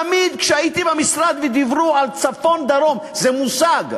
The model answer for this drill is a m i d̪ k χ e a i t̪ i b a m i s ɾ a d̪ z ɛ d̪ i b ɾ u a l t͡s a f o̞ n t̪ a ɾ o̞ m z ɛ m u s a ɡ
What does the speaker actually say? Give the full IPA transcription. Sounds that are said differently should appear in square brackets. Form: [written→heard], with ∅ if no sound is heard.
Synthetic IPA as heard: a m i d̪ k [χ→ʃ] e a i t̪ i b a m i s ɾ a d̪ [z→v] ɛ d̪ i [b→v] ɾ u a l t͡s a f o̞ n [t̪→d̪] a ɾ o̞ m z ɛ m u s a ɡ